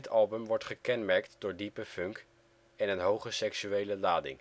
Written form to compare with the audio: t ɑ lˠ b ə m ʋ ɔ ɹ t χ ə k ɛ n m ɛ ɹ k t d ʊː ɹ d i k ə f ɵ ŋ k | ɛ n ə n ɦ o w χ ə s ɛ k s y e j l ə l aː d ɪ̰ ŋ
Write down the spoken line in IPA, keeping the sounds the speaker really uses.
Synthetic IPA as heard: t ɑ lˠ b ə m ʋ ɔ ɹ t χ ə k ɛ n m ɛ ɹ k t d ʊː ɹ d i p ə f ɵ ŋ k | ɛ n ə n ɦ o w χ ə s ɛ k s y e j l ə l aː d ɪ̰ ŋ